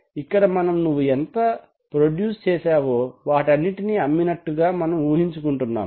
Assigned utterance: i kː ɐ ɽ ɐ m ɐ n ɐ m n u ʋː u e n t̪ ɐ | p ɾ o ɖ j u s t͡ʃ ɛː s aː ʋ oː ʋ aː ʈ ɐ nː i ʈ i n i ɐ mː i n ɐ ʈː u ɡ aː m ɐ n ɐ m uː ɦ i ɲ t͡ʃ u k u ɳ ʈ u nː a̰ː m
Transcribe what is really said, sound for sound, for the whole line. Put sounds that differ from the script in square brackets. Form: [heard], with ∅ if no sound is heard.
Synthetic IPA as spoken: i kː ɐ ɽ ɐ m ɐ n ɐ m n u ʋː u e n t̪ ɐ | p ɾ o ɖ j [uː] s t͡ʃ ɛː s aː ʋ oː ʋ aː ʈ ɐ nː i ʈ i n i ɐ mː i n ɐ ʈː u ɡ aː m ɐ n ɐ m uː ɦ i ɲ t͡ʃ u k u ɳ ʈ u nː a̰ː m